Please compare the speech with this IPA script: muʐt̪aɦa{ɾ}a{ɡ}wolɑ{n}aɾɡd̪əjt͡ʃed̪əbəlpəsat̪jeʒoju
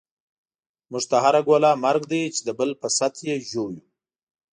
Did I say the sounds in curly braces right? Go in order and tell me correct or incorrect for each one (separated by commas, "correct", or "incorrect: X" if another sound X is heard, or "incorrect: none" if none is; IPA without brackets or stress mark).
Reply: correct, correct, incorrect: m